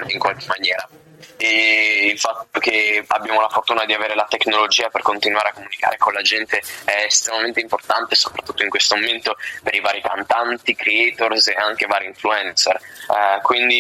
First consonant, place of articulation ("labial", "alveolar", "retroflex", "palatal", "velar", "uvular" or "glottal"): velar